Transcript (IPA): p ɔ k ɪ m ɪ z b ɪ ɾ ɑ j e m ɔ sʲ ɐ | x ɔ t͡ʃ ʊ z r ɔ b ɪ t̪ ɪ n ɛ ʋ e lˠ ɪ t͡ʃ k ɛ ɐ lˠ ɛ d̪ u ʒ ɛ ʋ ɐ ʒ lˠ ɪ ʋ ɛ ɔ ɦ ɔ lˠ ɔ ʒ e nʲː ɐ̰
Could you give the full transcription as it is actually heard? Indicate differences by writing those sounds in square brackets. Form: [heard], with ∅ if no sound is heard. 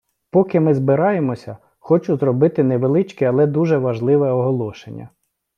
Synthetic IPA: p ɔ k ɪ m ɪ z b ɪ ɾ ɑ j e m ɔ sʲ ɐ | x ɔ t͡ʃ ʊ z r ɔ b ɪ t̪ ɪ n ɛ ʋ e lˠ ɪ t͡ʃ k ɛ ɐ lˠ ɛ d̪ u ʒ ɛ ʋ ɐ ʒ lˠ ɪ ʋ ɛ ɔ ɦ ɔ lˠ ɔ [ʃ] e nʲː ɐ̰